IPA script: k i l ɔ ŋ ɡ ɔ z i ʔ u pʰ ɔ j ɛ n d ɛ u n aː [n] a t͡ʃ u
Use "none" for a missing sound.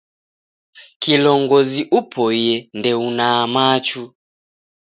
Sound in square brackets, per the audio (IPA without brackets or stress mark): m